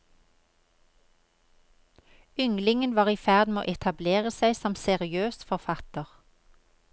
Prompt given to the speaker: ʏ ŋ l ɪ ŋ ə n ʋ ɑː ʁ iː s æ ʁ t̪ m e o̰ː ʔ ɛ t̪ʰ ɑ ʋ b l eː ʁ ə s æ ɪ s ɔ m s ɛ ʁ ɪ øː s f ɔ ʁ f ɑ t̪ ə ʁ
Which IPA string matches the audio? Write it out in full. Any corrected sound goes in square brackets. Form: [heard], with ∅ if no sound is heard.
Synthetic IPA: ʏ ŋ l ɪ ŋ ə n ʋ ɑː ʁ iː [f] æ ʁ [d̪] m e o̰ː ʔ ɛ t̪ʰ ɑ [∅] b l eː ʁ ə s æ ɪ s ɔ m s ɛ ʁ ɪ øː s f ɔ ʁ f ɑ t̪ ə ʁ